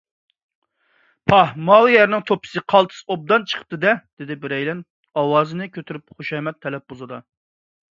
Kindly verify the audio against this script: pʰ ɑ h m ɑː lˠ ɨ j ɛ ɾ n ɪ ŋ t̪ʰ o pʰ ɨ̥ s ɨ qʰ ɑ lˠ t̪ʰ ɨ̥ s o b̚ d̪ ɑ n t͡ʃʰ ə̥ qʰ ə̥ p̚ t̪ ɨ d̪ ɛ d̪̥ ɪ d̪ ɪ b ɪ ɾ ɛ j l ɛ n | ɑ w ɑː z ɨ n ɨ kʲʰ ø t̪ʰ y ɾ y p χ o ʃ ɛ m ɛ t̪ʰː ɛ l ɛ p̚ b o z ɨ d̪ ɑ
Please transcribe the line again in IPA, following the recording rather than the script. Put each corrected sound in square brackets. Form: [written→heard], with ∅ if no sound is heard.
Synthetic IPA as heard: pʰ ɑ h m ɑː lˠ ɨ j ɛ ɾ n ɪ ŋ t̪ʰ o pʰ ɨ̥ s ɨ qʰ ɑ lˠ t̪ʰ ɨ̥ s o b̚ d̪ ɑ n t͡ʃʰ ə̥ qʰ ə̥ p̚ t̪ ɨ d̪ ɛ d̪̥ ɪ d̪ ɪ b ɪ ɾ ɛ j l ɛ n | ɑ w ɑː z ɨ n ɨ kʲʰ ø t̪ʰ y ɾ y p χ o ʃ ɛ m ɛ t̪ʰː ɛ l ɛ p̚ b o z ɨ d̪ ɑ

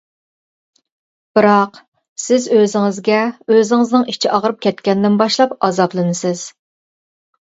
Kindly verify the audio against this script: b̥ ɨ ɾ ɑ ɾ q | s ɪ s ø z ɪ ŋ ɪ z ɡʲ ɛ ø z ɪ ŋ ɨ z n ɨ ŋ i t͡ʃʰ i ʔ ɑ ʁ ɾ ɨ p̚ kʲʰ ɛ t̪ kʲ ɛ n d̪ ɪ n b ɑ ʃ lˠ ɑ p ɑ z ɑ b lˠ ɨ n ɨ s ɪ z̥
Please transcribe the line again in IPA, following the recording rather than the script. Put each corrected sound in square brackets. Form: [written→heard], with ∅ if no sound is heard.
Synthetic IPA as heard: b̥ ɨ ɾ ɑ [ɾ→∅] q | s ɪ [s→z] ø z ɪ ŋ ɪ z ɡʲ ɛ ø z ɪ ŋ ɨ z n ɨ ŋ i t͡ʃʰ i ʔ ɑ ʁ ɾ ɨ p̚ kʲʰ ɛ t̪ kʲ ɛ n d̪ ɪ n b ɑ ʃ lˠ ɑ p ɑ z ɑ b lˠ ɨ n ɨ s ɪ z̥

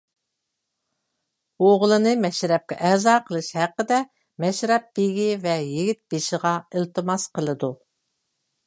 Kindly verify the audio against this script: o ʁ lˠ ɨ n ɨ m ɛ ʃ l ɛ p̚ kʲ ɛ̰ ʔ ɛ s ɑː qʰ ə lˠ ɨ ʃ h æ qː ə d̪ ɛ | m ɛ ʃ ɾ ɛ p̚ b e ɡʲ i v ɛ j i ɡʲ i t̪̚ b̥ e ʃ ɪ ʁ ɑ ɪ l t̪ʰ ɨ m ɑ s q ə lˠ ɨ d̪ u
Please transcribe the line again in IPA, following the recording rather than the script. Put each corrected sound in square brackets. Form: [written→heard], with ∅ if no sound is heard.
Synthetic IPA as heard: o ʁ lˠ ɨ n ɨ m ɛ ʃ [l→ɾ] ɛ p̚ kʲ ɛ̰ ʔ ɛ [s→z] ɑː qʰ ə lˠ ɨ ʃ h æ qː ə d̪ ɛ | m ɛ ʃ ɾ ɛ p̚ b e ɡʲ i v ɛ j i ɡʲ i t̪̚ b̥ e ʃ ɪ ʁ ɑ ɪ l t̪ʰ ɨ m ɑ s q ə lˠ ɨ d̪ u

